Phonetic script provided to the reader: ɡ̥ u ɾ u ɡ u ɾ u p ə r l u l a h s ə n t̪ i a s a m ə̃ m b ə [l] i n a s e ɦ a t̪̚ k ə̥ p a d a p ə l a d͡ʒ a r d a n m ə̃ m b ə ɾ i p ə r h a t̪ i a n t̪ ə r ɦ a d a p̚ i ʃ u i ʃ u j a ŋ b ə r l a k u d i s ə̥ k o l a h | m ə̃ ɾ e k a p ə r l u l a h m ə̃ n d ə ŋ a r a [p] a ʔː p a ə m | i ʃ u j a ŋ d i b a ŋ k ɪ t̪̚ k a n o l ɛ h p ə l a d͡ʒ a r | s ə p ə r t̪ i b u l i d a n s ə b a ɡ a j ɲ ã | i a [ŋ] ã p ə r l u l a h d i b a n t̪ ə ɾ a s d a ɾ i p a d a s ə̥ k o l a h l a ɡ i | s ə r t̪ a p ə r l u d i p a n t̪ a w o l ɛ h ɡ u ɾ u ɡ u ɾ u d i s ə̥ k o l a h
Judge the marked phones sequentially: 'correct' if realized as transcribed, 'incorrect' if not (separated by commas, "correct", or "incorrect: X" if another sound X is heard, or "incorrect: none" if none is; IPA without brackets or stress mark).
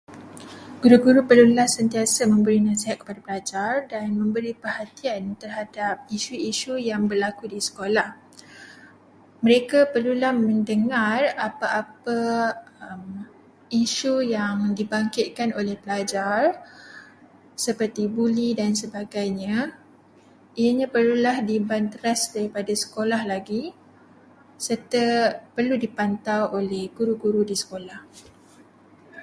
incorrect: ɾ, correct, incorrect: ɲ